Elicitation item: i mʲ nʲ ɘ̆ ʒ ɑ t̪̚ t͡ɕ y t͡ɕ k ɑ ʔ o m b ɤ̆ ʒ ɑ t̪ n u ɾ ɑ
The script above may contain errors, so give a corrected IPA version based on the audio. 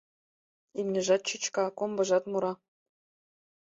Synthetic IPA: i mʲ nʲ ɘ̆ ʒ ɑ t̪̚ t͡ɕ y t͡ɕ k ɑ k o m b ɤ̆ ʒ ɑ t̪ m u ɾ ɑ